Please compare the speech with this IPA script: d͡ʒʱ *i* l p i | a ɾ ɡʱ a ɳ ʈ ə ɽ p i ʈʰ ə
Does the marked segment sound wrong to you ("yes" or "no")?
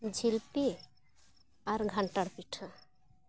no